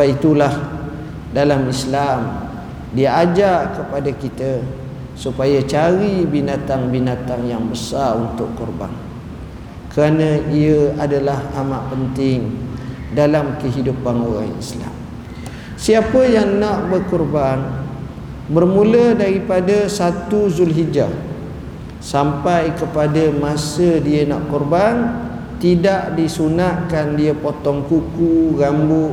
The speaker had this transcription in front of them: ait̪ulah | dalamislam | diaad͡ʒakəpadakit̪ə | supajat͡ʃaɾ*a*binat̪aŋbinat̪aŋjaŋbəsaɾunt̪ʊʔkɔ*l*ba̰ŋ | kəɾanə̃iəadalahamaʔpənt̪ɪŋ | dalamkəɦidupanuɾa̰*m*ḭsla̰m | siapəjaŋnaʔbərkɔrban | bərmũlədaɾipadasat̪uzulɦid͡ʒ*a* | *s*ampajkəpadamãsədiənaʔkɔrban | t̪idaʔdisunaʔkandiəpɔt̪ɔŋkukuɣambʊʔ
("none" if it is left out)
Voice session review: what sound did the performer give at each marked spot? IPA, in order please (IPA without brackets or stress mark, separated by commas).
i, r, ŋ, a, s